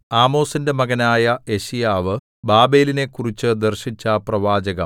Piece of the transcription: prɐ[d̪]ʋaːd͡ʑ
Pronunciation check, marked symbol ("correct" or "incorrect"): incorrect